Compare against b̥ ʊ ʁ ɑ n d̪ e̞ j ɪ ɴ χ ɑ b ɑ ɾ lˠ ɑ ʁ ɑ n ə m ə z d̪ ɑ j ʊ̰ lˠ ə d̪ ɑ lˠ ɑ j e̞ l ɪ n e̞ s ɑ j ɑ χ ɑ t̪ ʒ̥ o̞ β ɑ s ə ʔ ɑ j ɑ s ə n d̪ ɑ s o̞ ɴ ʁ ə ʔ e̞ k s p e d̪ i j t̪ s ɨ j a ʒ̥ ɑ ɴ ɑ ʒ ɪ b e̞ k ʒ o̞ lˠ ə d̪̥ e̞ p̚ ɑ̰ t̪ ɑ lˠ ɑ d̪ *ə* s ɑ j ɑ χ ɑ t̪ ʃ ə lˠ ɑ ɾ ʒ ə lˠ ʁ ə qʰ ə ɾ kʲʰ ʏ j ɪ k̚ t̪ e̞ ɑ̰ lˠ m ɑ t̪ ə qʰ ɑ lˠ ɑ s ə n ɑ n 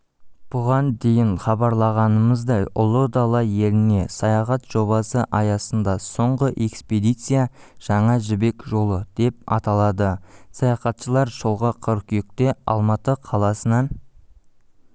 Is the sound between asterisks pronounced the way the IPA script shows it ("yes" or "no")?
yes